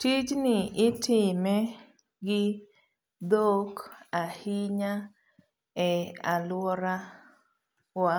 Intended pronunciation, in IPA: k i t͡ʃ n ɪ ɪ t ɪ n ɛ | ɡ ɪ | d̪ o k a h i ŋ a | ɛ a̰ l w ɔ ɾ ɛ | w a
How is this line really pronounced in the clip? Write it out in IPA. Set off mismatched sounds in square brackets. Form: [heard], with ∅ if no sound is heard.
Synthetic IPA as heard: [t] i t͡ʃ n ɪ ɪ t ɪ [m] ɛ | ɡ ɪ | d̪ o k a h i [ɲ] a | ɛ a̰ l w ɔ ɾ [a] | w a